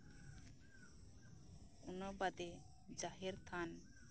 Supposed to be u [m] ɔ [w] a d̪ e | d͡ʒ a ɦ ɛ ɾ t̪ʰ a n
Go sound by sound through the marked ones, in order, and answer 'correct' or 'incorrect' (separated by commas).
incorrect, incorrect